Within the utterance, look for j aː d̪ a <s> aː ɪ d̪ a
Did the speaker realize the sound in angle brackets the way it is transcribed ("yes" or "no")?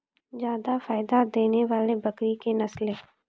no